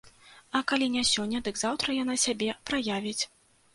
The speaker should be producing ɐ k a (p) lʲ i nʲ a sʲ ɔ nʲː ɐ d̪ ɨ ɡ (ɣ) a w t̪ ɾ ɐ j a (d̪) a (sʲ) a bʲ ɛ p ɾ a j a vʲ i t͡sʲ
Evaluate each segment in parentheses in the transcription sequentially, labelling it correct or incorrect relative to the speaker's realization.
incorrect, incorrect, incorrect, correct

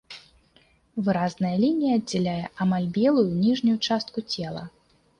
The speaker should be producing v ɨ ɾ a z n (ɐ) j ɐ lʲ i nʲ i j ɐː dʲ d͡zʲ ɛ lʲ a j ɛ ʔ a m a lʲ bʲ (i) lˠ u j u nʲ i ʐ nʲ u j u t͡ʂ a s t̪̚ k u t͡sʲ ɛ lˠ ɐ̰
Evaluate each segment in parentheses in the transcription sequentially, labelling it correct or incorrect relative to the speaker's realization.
correct, incorrect

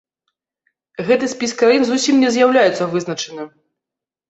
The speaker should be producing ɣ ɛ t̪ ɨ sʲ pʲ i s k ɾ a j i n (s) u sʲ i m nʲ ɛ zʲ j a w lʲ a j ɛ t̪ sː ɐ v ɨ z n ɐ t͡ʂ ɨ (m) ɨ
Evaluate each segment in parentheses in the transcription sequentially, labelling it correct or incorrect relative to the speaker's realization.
incorrect, incorrect

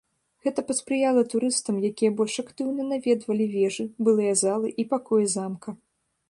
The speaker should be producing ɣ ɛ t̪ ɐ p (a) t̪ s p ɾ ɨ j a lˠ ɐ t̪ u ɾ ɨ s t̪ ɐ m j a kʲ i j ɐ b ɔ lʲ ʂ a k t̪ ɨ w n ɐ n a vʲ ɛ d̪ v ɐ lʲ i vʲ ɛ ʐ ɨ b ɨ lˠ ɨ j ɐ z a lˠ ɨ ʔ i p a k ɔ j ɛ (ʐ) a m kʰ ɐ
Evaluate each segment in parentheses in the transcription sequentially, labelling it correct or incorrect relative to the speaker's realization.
incorrect, incorrect

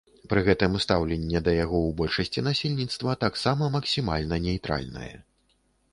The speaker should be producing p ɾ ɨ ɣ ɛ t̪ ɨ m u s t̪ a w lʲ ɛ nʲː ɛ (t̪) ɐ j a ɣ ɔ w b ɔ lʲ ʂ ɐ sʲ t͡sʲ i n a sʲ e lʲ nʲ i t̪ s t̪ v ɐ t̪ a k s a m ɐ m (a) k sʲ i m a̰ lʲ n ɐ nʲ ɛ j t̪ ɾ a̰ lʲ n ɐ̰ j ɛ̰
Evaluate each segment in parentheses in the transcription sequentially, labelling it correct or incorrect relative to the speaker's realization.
incorrect, incorrect

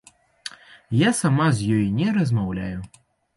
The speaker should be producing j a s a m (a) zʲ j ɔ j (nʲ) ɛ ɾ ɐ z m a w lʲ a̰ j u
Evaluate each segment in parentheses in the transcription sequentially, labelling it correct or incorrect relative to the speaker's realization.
correct, correct

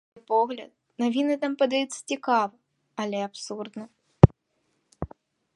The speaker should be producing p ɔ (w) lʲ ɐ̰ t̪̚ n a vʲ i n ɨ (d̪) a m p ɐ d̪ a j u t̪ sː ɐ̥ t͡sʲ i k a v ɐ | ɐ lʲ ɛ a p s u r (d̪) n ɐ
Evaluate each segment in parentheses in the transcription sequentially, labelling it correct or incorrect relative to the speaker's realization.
incorrect, incorrect, correct

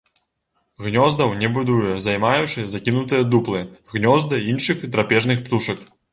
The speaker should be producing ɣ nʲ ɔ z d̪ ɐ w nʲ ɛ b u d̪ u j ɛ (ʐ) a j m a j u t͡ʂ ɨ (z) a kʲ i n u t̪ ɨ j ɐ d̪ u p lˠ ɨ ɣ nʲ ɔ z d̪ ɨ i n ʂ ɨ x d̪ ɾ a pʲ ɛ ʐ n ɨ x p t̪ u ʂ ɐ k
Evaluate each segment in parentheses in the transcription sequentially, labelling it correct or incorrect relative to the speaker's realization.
incorrect, correct

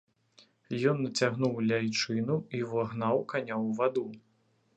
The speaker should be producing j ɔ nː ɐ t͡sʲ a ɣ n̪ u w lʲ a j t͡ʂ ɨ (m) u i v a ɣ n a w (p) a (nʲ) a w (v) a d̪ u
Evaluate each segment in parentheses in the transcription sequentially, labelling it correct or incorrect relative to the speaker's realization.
incorrect, incorrect, correct, correct

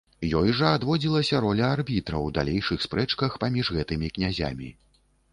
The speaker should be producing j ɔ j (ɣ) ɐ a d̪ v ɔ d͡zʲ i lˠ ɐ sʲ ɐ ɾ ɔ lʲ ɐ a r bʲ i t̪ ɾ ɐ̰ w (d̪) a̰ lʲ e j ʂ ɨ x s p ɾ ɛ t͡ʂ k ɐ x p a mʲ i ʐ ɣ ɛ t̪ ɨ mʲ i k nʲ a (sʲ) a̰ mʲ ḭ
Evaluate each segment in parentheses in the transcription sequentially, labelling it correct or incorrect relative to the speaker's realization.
incorrect, correct, incorrect

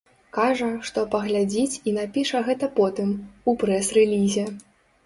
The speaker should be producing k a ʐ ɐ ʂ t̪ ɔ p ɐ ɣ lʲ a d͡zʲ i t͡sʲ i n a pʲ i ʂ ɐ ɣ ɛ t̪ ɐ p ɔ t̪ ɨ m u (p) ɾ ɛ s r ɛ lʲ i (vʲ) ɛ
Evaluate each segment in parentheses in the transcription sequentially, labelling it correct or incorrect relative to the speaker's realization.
correct, incorrect

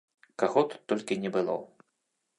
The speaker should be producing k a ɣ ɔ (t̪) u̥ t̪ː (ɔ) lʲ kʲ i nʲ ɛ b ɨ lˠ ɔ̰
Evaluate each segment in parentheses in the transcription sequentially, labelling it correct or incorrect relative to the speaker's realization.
correct, correct

